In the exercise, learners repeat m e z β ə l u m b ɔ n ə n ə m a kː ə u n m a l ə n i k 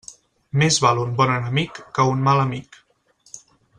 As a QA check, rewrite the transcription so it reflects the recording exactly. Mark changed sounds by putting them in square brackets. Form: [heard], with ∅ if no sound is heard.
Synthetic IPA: m e z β [a] l u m b ɔ n ə n ə m [i] kː ə u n m a l ə [m] i k